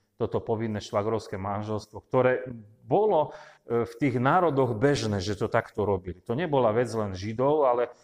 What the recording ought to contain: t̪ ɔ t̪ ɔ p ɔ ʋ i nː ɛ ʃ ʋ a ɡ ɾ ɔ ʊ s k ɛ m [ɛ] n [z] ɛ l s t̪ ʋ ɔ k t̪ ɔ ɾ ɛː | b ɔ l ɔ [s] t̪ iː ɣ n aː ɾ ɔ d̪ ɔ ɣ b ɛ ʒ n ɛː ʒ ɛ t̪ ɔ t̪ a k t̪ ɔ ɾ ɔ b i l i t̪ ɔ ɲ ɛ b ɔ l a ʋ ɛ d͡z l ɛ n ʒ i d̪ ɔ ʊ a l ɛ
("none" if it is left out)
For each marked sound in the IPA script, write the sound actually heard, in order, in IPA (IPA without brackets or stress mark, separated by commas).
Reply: a, ʒ, f